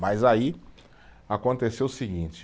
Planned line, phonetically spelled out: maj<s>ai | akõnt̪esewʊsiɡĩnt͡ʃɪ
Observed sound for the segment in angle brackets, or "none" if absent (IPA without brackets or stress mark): z